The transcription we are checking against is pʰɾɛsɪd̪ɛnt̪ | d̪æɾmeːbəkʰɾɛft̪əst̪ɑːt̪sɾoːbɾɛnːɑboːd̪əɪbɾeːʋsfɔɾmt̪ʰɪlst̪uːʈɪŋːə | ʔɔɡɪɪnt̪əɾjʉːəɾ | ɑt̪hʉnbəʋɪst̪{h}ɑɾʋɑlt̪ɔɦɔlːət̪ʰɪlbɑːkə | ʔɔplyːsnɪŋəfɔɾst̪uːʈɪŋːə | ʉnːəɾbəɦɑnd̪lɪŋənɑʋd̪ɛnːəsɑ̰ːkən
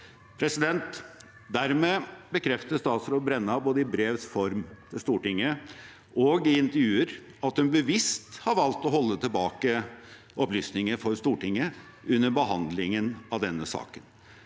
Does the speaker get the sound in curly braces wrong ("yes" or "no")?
no